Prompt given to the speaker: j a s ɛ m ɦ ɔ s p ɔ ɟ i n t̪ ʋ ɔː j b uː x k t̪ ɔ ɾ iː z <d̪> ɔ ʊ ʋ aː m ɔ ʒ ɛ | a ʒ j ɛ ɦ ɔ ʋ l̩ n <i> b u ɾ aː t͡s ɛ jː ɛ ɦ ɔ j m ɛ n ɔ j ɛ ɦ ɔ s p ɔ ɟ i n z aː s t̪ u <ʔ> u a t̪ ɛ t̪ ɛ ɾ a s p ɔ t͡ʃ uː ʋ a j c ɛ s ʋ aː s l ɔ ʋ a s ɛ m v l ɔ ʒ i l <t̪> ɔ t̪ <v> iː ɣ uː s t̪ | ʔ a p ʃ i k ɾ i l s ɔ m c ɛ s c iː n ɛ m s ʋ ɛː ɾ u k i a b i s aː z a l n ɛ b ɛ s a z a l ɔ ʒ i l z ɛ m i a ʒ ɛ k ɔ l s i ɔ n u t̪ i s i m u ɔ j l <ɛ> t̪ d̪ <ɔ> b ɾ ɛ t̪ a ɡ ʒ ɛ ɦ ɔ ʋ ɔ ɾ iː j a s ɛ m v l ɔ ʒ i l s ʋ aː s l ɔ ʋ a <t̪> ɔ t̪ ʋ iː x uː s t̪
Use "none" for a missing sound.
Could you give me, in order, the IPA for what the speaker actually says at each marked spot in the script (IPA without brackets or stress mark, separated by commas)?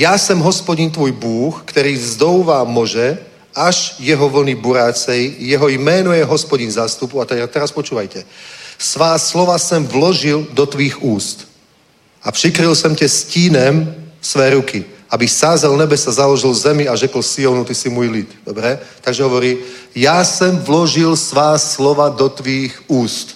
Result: d̪, i, p, d̪, ʋ, i, ɔ, d̪